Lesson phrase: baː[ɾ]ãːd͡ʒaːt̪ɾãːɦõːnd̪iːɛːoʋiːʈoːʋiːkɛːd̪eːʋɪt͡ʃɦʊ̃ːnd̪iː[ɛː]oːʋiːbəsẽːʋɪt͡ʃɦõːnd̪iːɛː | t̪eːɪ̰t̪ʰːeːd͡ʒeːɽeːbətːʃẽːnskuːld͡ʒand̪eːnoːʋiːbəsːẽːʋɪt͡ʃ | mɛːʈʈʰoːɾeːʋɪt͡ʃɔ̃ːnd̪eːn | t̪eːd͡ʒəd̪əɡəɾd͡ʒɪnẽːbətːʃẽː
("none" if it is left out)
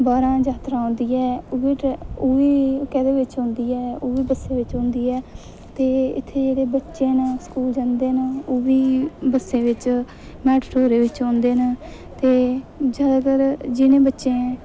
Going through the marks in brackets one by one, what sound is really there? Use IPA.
ɾ, ɛː

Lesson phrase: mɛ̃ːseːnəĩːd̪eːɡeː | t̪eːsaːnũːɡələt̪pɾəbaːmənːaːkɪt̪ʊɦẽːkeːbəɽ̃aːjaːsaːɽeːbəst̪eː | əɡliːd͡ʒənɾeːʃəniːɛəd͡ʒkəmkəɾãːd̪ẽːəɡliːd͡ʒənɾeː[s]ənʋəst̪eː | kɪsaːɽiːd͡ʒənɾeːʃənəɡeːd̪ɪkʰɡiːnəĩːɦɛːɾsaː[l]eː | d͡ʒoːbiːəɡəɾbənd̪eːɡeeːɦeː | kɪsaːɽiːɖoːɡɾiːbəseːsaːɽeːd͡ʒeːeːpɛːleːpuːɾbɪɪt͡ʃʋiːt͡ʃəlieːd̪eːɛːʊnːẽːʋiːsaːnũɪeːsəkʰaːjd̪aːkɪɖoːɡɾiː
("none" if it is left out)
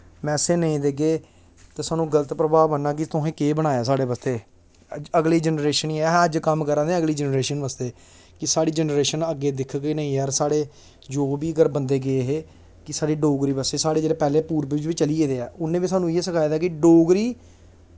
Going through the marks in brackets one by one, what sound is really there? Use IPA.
ʃ, ɽ

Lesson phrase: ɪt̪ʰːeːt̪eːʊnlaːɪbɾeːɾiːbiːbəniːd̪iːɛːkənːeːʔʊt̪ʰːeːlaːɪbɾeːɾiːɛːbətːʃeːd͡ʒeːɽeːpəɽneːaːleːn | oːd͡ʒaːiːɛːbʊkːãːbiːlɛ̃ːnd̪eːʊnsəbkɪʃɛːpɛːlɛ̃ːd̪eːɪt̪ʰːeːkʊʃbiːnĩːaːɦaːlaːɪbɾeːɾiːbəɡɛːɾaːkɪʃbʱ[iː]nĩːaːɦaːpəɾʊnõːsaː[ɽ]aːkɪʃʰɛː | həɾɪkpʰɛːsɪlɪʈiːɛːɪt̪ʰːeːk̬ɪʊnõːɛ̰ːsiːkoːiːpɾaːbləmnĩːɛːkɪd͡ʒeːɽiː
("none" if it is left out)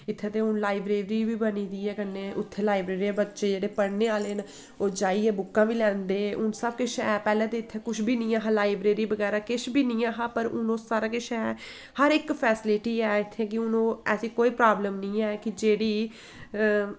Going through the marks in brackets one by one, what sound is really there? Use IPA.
iː, ɾ

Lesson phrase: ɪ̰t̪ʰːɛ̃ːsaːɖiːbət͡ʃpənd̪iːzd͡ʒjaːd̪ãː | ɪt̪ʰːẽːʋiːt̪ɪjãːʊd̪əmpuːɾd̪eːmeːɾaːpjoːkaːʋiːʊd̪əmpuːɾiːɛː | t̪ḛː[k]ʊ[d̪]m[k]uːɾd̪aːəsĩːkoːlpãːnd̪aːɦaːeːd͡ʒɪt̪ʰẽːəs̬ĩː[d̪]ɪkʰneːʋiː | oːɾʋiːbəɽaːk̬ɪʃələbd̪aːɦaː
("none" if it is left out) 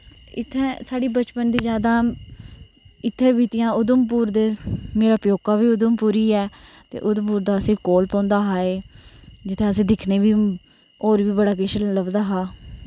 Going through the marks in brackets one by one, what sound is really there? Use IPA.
ʔ, d̪, p, d̪

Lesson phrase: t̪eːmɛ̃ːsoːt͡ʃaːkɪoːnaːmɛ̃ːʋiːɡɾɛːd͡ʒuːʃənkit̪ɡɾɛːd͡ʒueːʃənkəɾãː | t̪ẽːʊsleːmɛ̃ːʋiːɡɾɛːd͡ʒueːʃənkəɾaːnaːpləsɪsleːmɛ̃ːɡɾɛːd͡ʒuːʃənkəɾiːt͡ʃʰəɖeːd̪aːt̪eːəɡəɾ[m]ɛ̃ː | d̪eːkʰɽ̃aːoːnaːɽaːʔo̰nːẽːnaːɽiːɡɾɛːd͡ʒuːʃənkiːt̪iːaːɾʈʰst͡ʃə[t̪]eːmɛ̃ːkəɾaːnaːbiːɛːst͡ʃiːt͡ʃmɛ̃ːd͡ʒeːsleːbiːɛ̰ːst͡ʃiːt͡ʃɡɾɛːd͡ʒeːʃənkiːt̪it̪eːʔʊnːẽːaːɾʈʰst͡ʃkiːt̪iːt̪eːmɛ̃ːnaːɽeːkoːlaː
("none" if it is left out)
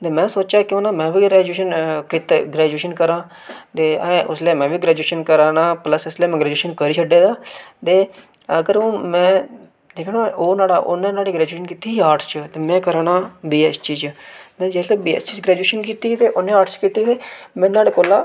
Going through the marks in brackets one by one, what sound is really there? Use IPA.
m, t̪

